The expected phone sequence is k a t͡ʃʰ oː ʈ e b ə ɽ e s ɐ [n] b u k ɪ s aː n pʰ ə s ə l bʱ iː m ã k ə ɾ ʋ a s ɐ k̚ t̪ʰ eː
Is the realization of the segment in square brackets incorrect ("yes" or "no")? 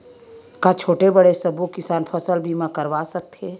yes